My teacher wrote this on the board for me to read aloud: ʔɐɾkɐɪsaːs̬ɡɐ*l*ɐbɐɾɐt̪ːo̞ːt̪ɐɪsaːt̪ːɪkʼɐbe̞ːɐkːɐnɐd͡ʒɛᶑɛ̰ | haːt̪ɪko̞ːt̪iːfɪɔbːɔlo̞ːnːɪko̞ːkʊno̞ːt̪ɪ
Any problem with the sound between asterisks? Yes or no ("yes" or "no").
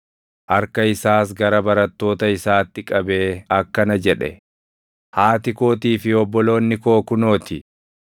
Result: yes